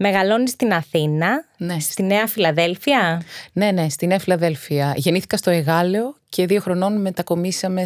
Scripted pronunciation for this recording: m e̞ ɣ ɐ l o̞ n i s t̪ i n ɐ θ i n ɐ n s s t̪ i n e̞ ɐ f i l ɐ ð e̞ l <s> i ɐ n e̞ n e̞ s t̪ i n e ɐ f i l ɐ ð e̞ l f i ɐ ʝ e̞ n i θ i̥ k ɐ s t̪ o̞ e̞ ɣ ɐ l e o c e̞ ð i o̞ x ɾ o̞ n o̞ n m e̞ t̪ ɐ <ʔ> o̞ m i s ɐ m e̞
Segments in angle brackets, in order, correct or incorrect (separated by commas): incorrect, incorrect